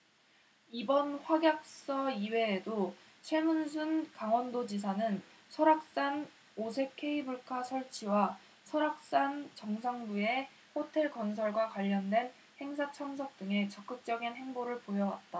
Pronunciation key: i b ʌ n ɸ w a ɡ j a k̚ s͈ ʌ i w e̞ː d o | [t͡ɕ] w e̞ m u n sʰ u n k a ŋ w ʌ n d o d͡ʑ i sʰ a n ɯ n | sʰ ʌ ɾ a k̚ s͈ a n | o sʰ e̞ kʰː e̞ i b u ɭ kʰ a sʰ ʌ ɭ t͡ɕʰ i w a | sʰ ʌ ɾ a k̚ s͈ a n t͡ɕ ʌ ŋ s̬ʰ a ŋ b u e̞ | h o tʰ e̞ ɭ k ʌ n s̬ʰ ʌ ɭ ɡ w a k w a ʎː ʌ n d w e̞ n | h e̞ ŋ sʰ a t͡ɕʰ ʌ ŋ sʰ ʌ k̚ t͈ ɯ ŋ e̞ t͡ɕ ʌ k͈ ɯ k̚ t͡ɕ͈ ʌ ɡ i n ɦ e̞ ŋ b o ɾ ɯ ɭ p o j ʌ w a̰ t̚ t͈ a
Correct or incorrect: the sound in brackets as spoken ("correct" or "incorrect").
incorrect